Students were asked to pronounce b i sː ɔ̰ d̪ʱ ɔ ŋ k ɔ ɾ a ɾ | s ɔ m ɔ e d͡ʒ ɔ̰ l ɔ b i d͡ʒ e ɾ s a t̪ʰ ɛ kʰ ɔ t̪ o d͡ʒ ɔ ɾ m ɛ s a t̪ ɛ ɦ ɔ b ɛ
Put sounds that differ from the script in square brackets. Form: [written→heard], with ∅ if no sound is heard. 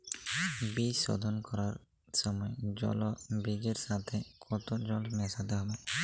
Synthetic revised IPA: b i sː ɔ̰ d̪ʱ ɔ [ŋ→n] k ɔ ɾ a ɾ | s ɔ m ɔ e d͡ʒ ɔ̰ l ɔ b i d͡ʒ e ɾ s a t̪ʰ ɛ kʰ ɔ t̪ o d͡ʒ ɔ [ɾ→l] m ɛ s a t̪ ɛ ɦ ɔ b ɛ